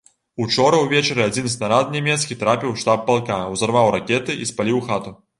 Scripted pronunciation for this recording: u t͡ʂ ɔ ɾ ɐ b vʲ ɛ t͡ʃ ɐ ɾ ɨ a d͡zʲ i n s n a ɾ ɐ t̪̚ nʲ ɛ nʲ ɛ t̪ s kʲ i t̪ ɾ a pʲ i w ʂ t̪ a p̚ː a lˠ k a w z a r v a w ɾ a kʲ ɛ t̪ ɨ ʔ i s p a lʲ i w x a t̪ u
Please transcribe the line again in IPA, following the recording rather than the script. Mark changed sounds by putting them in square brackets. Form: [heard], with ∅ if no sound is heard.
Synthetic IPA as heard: u t͡ʂ ɔ ɾ ɐ [w] vʲ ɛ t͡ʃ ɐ ɾ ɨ a d͡zʲ i n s n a ɾ [a] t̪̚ nʲ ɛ [mʲ] ɛ t̪ s kʲ i t̪ ɾ a pʲ i w ʂ t̪ a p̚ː a lˠ k a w z a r v a w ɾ a kʲ ɛ t̪ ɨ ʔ i s p a lʲ i w x a t̪ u